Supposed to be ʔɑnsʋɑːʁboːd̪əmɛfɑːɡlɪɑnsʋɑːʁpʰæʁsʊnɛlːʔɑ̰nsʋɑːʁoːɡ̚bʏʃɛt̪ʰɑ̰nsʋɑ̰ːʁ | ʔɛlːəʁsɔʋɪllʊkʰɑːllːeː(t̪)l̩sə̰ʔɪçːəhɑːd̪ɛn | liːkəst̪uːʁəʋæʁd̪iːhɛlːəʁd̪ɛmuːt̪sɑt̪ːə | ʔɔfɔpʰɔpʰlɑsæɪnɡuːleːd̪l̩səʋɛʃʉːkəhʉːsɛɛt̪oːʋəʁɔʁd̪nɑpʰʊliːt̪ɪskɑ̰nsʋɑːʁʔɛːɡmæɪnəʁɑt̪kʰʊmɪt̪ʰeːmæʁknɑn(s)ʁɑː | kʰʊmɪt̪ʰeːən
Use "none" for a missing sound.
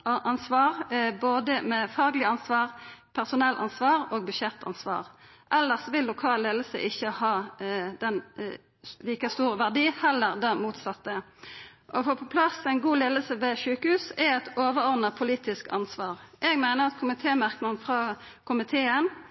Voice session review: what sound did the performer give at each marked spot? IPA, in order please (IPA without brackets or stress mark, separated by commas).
d̪, f